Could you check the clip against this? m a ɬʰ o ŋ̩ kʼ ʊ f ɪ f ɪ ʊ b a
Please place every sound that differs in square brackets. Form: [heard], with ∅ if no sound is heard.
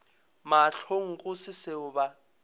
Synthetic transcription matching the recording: m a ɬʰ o ŋ̩ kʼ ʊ [s] ɪ [s] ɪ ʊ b a